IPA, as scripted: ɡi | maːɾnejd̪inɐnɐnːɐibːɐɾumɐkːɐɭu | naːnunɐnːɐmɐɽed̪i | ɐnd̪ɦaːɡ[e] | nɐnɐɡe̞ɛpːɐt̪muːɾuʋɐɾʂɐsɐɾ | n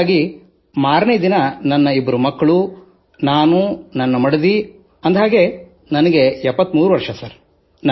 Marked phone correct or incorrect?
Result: correct